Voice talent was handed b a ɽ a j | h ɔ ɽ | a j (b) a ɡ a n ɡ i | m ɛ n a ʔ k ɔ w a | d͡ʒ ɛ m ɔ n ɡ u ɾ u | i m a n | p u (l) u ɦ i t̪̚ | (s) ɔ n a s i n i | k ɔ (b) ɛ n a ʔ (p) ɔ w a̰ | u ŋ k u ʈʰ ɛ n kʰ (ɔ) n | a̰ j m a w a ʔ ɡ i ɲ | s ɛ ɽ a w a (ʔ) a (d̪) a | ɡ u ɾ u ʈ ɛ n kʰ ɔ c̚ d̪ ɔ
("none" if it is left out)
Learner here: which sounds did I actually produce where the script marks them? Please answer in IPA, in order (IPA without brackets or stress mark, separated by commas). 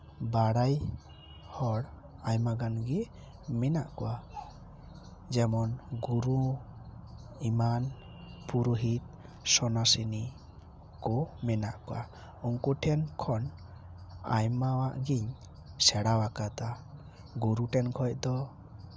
m, ɾ, s, m, k, ɔ, k, t̪